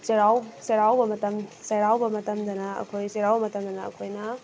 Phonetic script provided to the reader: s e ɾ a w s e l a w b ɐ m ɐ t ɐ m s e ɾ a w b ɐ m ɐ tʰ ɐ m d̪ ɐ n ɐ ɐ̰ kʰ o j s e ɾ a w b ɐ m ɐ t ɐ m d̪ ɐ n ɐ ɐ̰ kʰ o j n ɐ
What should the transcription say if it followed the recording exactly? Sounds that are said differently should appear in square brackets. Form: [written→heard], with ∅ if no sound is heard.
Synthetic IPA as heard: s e ɾ a w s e [l→ɾ] a w b ɐ m ɐ t ɐ m s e ɾ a w b ɐ m ɐ [tʰ→t] ɐ m d̪ ɐ n ɐ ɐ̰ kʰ o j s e ɾ a w b ɐ m ɐ t ɐ m d̪ ɐ n ɐ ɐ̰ kʰ o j n ɐ